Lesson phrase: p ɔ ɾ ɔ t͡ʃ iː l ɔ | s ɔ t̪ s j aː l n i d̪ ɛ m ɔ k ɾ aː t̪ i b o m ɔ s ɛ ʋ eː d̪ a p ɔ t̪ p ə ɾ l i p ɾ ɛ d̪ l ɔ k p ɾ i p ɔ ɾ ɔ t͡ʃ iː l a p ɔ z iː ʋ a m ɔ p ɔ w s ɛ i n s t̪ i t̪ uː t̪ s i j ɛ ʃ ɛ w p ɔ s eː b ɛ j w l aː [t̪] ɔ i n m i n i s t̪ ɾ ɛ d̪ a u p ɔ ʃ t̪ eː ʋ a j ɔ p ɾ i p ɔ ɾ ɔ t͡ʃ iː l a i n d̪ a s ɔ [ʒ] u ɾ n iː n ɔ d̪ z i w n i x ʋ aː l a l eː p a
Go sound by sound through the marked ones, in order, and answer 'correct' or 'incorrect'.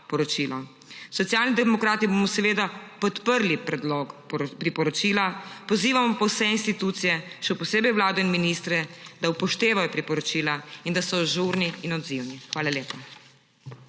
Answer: incorrect, correct

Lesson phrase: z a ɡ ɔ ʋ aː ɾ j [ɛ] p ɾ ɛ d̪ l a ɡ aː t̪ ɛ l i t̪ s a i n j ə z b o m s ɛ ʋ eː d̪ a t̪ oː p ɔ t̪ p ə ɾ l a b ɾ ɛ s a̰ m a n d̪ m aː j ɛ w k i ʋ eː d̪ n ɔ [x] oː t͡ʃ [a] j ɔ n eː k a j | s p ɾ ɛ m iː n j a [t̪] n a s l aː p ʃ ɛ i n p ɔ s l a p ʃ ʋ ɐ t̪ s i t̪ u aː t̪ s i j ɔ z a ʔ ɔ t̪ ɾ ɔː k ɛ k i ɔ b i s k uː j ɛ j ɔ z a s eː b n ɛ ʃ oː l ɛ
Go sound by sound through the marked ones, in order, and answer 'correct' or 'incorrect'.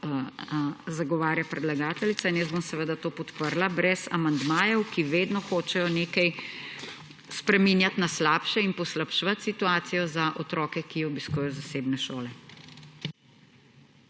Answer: incorrect, correct, incorrect, correct

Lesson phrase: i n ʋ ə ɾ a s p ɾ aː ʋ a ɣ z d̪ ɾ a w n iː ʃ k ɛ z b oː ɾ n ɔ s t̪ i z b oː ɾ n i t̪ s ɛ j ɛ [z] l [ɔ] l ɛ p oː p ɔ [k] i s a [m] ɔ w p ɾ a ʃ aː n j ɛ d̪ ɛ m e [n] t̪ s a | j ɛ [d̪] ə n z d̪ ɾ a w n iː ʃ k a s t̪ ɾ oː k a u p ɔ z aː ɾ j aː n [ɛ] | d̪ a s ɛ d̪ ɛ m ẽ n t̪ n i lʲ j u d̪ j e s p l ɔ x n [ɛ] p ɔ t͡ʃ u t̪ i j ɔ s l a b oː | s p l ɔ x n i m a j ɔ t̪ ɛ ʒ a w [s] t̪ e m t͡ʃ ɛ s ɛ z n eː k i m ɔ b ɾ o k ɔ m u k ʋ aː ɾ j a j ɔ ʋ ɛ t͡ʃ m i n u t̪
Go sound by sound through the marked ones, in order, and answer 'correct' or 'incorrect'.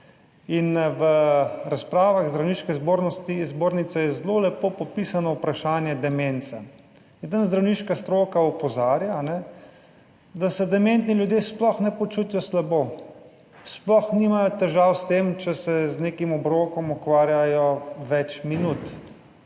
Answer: correct, incorrect, incorrect, incorrect, correct, correct, correct, correct, correct

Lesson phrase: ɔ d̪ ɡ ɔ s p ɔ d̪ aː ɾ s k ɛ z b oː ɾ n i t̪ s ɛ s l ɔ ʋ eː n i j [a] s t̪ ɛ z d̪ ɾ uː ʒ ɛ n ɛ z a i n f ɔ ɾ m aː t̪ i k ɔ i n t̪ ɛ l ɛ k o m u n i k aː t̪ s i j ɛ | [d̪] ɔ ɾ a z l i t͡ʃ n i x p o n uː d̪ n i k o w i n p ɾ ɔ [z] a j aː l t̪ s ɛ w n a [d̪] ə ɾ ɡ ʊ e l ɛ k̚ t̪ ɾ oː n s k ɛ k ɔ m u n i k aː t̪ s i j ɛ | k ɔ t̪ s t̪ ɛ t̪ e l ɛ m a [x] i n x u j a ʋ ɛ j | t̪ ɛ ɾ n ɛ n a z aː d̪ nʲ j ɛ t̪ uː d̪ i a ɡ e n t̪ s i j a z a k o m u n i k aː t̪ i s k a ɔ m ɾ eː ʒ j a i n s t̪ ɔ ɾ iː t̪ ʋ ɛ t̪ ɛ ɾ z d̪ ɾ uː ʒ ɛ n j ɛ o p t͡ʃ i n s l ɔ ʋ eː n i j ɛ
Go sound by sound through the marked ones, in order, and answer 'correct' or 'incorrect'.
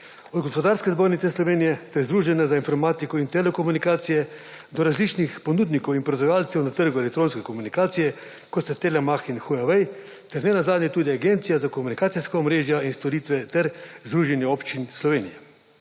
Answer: incorrect, correct, correct, incorrect, correct

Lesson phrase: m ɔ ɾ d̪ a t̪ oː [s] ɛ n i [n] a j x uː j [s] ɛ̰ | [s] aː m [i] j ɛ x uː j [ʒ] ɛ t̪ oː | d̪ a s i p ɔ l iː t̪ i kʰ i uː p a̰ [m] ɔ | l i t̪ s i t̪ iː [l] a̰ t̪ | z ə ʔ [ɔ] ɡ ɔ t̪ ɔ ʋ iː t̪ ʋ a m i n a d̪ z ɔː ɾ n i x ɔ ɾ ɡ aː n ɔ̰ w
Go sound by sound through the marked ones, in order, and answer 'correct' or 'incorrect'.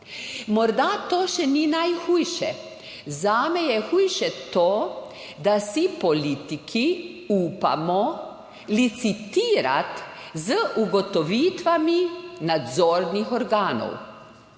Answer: incorrect, correct, incorrect, incorrect, incorrect, incorrect, correct, incorrect, incorrect

